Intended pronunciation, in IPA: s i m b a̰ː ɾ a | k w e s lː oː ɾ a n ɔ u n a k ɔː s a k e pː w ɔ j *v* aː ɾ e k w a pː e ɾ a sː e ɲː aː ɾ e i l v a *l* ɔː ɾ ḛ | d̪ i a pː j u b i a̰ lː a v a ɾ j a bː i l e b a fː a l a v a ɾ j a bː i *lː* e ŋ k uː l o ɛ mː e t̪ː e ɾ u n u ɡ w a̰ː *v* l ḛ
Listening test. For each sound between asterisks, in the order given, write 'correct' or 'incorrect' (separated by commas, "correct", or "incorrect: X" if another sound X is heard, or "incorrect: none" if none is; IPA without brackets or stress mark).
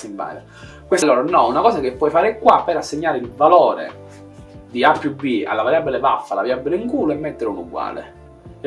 incorrect: f, correct, incorrect: l, incorrect: none